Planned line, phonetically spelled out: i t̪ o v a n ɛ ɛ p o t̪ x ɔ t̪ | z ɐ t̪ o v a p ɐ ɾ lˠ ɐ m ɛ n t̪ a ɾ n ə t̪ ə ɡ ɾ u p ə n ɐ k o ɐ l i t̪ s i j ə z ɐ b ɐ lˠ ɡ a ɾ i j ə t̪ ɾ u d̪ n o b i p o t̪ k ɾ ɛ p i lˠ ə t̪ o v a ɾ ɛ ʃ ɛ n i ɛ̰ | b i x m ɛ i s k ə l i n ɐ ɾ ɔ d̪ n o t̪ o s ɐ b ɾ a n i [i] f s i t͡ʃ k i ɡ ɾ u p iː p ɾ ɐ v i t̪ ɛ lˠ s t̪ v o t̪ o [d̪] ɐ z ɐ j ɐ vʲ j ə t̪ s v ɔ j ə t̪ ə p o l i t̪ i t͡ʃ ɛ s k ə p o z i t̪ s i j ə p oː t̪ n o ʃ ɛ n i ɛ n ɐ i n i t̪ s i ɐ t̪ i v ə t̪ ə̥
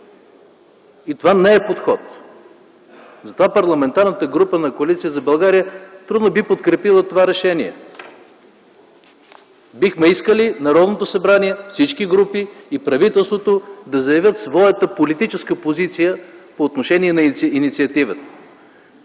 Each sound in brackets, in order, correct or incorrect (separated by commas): incorrect, correct